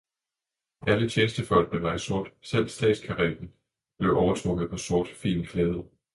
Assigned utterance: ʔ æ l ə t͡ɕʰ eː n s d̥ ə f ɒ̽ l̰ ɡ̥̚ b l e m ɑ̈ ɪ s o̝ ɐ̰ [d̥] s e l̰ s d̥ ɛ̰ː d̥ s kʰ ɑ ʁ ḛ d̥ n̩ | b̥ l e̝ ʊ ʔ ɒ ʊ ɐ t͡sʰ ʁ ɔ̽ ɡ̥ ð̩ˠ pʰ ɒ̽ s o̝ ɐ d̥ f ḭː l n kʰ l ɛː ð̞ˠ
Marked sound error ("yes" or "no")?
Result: no